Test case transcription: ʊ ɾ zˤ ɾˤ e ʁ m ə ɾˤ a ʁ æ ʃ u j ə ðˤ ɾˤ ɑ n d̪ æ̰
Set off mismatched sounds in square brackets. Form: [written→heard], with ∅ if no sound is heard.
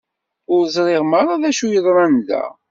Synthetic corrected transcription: ʊ ɾ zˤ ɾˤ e ʁ m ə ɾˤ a [ʁ→ð] æ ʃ u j ə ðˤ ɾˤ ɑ n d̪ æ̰